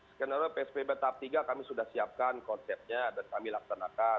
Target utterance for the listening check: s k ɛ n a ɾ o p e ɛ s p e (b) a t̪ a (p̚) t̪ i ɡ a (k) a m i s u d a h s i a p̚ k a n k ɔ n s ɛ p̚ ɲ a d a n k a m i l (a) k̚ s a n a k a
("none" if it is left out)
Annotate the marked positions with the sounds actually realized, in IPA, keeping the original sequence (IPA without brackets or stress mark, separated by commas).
b, p̚, k, a